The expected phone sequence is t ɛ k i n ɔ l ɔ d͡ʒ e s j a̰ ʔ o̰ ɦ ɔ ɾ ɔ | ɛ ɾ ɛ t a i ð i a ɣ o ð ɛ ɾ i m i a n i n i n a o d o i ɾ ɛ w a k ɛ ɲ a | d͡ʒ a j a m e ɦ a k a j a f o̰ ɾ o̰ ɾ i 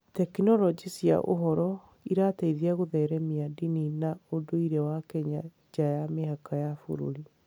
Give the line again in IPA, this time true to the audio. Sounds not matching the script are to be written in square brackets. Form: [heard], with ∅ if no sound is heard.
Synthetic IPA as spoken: t ɛ k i n ɔ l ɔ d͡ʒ [i] s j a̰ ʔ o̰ ɦ ɔ ɾ ɔ | [i] ɾ [a] t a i ð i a ɣ o ð ɛ ɾ [ɛ] m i a [d] i n i n a o d o i ɾ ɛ w a k ɛ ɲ a | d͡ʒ a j a m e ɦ a k a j a f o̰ ɾ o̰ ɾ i